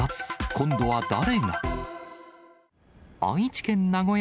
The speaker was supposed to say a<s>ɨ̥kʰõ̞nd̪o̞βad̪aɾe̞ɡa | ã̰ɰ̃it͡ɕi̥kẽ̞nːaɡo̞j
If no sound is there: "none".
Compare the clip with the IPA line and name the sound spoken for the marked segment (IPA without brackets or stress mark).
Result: t͡s